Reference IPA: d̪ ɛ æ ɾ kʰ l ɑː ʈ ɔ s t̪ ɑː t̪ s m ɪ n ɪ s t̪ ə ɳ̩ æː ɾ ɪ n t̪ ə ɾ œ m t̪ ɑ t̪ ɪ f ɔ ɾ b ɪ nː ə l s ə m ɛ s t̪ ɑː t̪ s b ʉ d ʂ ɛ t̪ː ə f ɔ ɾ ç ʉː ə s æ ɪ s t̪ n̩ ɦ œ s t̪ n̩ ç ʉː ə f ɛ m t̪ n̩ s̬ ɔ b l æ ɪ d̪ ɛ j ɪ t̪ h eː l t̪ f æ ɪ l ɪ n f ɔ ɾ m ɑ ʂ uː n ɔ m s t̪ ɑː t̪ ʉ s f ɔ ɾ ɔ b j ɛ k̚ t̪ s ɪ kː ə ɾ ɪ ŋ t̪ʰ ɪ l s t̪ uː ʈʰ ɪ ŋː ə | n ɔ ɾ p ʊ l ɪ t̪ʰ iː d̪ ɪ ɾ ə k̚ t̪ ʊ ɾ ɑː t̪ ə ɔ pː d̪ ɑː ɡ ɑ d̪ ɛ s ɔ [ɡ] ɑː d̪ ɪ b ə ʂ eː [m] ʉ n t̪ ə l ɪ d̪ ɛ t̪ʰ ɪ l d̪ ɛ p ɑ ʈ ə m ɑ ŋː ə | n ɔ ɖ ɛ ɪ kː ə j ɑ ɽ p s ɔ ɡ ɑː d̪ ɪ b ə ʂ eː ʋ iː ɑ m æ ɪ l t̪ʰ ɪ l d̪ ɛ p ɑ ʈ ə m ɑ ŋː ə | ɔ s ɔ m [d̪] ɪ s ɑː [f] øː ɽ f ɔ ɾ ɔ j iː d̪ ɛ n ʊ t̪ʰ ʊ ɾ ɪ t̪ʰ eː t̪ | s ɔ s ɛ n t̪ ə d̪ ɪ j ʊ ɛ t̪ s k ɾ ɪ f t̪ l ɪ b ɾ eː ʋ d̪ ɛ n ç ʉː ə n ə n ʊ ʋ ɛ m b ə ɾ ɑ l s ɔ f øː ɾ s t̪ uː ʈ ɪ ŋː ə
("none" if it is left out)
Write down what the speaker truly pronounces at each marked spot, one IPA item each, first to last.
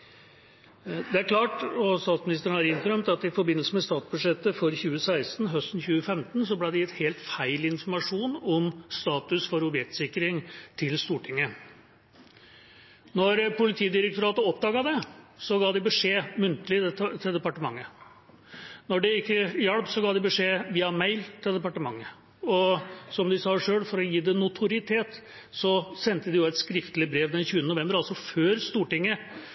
ɡ, m, d̪, ʂ

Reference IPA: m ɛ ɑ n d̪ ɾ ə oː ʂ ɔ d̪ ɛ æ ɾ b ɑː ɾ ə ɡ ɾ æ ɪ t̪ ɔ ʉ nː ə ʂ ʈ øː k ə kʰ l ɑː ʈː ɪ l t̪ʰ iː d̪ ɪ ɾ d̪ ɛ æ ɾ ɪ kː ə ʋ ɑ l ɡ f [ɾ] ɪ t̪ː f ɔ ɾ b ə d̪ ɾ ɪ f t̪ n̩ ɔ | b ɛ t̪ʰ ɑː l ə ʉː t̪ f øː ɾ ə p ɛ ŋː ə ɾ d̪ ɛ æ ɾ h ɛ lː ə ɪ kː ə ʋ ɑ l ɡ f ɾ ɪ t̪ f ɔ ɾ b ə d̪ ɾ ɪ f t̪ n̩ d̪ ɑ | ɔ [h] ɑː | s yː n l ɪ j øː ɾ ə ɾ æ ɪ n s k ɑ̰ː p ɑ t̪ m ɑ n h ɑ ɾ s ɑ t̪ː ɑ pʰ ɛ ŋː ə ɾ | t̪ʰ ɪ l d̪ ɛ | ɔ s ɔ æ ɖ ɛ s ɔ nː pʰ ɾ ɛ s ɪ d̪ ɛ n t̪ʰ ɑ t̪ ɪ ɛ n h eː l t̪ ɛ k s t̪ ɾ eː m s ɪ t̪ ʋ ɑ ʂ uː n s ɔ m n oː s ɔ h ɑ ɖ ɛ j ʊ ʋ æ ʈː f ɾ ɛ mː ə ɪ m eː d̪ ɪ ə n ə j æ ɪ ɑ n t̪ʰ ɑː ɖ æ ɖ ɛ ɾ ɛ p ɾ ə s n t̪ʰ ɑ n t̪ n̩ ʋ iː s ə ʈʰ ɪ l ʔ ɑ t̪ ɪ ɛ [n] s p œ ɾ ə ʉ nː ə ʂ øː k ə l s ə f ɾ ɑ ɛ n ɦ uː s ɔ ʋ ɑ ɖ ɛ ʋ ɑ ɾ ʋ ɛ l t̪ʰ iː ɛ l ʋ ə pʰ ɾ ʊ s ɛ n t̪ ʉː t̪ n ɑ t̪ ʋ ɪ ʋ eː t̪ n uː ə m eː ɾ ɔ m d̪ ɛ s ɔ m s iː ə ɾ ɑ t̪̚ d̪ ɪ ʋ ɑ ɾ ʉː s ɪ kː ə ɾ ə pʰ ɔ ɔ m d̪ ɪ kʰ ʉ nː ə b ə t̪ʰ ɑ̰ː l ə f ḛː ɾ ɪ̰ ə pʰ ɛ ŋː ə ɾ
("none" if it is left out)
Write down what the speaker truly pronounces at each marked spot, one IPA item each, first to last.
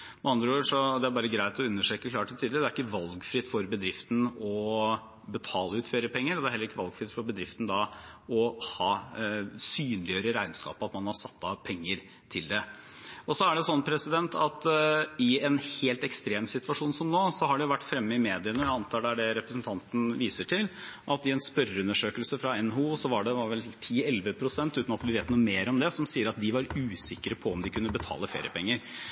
ɾ, h, n

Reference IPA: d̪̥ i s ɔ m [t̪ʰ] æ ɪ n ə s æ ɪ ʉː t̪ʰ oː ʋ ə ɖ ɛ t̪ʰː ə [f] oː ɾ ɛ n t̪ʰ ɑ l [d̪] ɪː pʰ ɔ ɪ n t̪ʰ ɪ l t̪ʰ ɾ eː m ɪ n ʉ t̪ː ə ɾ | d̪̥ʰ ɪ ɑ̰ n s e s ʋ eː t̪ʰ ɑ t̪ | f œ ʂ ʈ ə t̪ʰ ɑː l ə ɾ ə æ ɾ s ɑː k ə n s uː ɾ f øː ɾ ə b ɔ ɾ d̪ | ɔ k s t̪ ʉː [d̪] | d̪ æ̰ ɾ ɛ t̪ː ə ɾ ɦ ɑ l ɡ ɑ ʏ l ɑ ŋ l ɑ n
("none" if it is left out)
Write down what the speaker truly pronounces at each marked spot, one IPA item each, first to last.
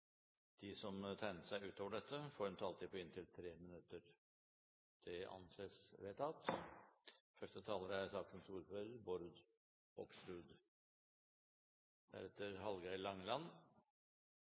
t̪ʰ, f, t̪, d̪

